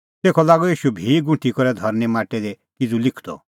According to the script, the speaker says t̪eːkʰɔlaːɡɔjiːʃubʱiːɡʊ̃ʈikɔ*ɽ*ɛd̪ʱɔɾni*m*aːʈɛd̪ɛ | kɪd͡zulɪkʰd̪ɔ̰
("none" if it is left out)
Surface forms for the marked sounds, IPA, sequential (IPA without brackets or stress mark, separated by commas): ɾ, m